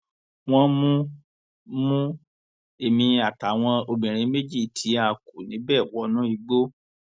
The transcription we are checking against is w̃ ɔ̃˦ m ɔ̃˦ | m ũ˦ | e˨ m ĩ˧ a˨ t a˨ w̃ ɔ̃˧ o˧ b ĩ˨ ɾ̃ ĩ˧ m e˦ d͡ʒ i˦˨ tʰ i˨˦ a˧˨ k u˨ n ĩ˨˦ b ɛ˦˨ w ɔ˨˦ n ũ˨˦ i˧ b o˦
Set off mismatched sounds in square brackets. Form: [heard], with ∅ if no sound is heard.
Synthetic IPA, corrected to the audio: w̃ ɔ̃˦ m [ũ˦] | m ũ˦ | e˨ m ĩ˧ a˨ t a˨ w̃ ɔ̃˧ o˧ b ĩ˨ ɾ̃ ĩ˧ m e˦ d͡ʒ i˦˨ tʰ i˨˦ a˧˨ k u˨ n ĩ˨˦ b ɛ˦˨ w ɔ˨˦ n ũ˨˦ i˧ [ɡ͡b] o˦